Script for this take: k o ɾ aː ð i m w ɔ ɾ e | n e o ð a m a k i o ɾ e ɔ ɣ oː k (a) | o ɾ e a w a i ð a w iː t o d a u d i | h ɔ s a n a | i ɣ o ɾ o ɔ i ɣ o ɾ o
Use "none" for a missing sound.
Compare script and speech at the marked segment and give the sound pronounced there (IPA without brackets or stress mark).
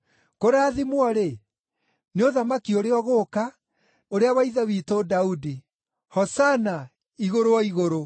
a